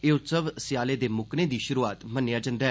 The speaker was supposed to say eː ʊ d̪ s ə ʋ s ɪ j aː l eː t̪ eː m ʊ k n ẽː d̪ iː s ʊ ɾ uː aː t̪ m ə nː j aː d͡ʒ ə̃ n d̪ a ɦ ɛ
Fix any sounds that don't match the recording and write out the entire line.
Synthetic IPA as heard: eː ʊ t̪ s ə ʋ s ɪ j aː l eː d̪ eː m ʊ k n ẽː d̪ iː ʃ ʊ ɾ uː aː t̪ m ə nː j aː d͡ʒ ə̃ n d̪ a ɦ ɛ